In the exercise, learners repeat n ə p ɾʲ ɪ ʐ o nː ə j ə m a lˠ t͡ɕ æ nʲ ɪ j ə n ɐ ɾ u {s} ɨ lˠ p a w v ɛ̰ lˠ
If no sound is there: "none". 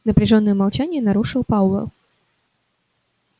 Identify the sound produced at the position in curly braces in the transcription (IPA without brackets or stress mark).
ʂ